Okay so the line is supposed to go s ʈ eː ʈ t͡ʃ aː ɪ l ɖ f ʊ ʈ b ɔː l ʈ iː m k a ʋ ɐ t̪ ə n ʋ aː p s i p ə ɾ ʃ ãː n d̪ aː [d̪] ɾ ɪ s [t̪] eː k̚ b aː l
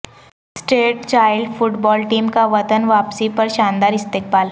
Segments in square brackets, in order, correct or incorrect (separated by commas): incorrect, correct